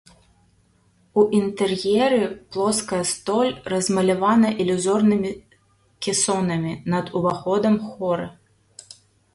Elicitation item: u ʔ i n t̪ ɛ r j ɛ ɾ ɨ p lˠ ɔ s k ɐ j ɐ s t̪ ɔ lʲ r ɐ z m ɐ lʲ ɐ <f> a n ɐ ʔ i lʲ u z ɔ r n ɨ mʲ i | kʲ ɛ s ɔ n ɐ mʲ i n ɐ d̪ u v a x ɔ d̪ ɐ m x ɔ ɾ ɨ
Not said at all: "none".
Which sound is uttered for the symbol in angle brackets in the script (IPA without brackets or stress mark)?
v